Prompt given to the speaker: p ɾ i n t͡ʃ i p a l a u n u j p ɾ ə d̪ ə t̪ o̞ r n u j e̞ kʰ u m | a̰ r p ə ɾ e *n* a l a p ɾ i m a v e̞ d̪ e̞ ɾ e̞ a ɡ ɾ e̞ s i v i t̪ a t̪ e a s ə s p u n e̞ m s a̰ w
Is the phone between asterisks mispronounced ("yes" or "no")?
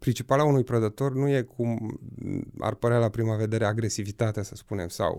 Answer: yes